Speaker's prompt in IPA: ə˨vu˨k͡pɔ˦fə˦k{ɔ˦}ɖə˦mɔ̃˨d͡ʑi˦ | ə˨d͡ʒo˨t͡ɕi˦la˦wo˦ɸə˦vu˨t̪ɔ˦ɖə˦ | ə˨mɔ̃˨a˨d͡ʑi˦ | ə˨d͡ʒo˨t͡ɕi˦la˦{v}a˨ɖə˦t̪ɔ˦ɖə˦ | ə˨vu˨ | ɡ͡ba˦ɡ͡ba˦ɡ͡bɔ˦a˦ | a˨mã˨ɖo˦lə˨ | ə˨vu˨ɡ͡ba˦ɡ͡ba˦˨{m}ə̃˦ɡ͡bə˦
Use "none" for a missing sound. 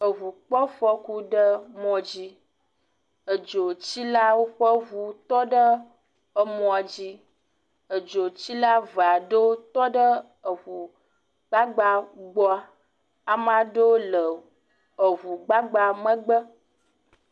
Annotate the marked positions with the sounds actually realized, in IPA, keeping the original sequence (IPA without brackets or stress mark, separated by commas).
u˦, v, m